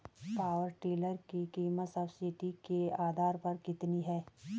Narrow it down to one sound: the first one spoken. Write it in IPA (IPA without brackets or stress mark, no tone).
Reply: p